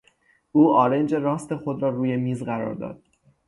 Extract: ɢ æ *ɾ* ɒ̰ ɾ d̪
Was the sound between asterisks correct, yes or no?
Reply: yes